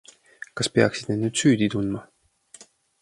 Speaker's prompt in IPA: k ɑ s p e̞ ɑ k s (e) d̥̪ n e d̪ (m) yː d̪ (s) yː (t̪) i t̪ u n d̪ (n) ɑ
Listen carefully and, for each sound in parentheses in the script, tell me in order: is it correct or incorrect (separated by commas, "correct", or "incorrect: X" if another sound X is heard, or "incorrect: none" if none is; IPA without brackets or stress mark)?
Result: incorrect: i, incorrect: n, correct, incorrect: d̪, incorrect: m